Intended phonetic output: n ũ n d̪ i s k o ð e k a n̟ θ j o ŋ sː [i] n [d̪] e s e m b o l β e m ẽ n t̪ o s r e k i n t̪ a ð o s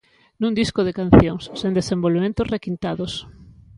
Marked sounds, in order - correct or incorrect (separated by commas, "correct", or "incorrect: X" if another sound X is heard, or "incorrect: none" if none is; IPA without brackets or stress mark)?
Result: incorrect: e, correct